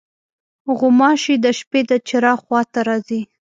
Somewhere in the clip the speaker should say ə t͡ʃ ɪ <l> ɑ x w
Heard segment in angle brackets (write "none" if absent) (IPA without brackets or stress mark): ɾ